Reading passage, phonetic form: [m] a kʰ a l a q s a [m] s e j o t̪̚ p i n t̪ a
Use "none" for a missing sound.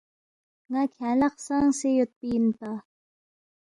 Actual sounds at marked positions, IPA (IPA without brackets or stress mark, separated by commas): ŋ, ŋ